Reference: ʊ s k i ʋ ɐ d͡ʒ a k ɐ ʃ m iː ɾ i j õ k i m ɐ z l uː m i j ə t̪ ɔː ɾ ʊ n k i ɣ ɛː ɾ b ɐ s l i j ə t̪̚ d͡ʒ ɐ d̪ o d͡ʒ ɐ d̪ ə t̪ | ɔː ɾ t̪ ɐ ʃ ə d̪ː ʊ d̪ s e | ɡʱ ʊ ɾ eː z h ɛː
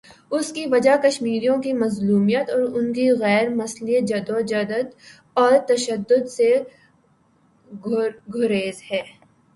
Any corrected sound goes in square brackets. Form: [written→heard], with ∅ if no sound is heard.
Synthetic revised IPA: ʊ s k i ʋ ɐ d͡ʒ a k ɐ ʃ m iː ɾ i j õ k i m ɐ z l uː m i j ə t̪ ɔː ɾ ʊ n k i ɣ ɛː ɾ [b→m] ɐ s l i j ə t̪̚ d͡ʒ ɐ d̪ o d͡ʒ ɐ d̪ ə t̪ | ɔː ɾ t̪ ɐ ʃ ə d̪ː ʊ d̪ s e | ɡʱ ʊ ɾ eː z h ɛː